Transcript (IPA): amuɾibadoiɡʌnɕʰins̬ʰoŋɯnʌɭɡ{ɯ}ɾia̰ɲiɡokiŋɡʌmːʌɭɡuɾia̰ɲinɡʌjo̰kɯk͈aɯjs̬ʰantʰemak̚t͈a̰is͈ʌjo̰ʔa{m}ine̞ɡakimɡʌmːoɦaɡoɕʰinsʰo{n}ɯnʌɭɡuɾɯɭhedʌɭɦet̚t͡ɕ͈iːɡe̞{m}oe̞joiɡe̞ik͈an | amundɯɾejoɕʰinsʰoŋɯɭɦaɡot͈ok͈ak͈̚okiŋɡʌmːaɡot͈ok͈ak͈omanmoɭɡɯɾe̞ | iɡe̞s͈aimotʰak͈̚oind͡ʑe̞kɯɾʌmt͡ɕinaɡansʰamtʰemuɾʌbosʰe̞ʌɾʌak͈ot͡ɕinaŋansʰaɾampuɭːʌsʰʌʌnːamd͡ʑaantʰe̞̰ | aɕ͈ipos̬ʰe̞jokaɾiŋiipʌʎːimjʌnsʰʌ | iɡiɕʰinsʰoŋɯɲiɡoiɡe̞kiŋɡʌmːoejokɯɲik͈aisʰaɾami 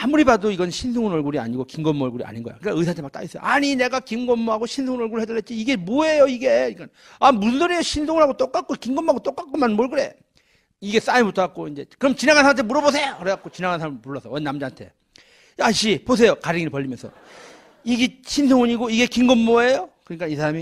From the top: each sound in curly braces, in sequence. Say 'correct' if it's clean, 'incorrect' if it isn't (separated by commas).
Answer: incorrect, incorrect, incorrect, correct